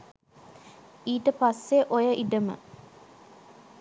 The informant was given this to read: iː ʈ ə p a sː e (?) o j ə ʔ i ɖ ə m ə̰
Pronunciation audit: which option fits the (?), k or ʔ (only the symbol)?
ʔ